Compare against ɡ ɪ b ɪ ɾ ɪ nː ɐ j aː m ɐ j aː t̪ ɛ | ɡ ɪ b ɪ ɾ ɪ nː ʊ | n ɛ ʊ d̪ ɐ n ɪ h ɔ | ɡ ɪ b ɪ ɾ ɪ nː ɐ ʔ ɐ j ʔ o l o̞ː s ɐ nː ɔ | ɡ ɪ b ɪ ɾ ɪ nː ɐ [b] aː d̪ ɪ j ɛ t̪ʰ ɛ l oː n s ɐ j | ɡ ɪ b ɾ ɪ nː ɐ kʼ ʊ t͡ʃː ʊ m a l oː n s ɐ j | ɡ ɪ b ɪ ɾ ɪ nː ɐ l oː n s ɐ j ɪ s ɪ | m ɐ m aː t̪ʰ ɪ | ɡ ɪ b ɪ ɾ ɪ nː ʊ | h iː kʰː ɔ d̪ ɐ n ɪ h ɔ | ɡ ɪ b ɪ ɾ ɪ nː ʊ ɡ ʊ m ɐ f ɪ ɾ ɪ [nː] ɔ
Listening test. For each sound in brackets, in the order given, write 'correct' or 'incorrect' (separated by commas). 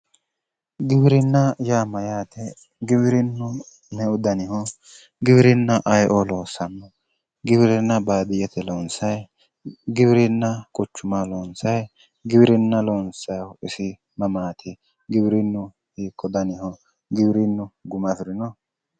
correct, incorrect